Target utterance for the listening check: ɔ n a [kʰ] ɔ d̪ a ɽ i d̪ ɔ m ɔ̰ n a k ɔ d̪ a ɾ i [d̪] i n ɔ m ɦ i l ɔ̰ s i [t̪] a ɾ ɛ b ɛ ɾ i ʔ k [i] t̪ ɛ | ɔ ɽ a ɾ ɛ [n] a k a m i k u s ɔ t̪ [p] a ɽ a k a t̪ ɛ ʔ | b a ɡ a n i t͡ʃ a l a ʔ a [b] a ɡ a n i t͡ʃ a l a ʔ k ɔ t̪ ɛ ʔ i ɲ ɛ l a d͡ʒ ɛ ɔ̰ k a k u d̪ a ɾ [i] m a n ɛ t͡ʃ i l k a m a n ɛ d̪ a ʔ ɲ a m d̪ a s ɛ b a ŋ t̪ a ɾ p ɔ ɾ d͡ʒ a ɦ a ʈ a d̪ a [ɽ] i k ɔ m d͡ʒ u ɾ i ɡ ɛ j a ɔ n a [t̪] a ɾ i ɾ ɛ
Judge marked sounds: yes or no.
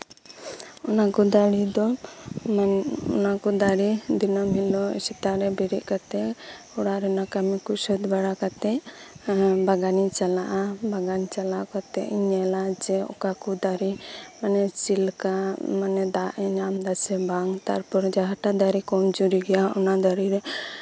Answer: no, yes, yes, no, yes, no, yes, yes, no, no

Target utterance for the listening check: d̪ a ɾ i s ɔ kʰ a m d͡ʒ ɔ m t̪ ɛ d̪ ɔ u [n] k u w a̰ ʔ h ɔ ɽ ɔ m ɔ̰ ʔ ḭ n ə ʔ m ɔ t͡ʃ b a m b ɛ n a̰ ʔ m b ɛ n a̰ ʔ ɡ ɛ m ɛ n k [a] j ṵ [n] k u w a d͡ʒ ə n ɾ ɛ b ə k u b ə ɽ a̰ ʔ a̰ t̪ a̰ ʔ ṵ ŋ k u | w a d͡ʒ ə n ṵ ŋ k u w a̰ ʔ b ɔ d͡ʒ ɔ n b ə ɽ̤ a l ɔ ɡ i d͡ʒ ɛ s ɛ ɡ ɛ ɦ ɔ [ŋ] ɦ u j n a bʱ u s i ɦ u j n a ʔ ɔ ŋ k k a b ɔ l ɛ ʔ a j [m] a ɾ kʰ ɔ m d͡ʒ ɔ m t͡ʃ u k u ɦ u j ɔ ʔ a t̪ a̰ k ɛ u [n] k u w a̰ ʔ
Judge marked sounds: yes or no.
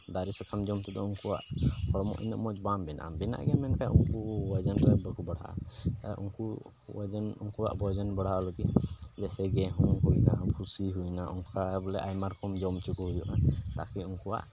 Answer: no, yes, no, yes, yes, no

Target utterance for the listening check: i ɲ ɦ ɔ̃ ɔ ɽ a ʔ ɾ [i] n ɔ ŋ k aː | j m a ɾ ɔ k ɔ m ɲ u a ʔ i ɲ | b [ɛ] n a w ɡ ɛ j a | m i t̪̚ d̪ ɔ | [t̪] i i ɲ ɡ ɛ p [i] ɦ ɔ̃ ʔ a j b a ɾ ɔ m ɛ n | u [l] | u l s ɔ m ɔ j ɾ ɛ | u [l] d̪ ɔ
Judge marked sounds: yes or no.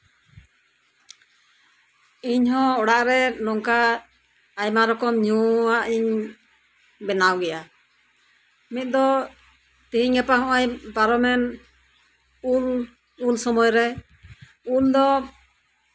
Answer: no, yes, yes, no, yes, yes

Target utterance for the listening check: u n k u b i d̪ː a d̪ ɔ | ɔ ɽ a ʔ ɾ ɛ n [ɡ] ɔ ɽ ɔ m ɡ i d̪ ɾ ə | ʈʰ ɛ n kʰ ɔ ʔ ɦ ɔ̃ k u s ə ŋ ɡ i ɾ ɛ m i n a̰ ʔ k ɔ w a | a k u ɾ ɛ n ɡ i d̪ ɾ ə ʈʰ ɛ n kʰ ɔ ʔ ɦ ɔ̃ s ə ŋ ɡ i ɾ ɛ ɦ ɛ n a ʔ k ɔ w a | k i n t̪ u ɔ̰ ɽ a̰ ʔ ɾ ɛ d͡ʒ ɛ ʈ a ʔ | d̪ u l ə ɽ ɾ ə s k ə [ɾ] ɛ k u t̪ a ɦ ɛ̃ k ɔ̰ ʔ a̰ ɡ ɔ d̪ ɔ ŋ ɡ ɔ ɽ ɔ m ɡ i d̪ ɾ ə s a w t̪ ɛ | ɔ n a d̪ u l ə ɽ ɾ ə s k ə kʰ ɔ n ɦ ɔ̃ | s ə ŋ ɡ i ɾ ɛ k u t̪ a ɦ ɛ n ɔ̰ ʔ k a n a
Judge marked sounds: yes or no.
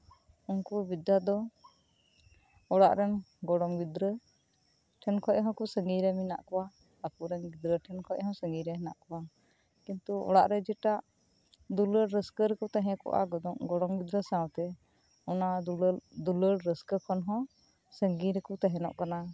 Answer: yes, yes

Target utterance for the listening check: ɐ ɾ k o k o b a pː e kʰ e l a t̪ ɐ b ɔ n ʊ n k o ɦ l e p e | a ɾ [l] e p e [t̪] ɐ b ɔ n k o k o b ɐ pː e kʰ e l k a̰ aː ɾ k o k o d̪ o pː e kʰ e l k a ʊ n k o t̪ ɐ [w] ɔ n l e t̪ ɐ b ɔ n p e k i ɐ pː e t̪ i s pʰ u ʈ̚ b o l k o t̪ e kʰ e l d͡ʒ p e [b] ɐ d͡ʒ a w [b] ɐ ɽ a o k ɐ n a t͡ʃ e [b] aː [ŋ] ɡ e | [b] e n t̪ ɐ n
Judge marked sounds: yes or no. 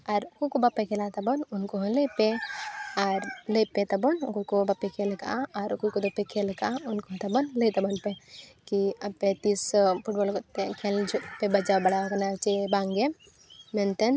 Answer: yes, yes, no, yes, yes, yes, yes, no

